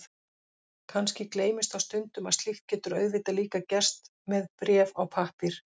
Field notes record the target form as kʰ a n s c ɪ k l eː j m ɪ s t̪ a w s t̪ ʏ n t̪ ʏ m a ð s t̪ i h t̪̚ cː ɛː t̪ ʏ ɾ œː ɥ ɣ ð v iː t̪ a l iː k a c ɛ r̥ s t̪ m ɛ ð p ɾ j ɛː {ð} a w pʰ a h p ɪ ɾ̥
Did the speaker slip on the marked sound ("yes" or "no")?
yes